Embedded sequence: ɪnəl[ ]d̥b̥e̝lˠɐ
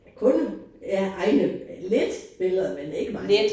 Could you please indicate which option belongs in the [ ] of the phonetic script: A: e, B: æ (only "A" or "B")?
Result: A